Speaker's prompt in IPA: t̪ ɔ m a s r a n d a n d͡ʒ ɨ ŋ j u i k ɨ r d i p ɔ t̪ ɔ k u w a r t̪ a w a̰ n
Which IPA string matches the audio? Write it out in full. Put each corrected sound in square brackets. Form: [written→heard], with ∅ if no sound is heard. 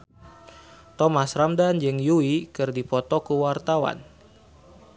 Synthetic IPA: t̪ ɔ m a s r a [n→m] d a n d͡ʒ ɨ ŋ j u i k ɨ r d i p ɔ t̪ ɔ k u w a r t̪ a w a̰ n